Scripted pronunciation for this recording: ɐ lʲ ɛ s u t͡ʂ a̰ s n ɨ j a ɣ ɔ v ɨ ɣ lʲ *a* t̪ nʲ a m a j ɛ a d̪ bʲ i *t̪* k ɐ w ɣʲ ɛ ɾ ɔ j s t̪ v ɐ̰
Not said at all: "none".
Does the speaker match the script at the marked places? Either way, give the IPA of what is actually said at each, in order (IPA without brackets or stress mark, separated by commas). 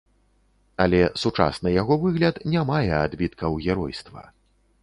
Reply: ɐ, t̪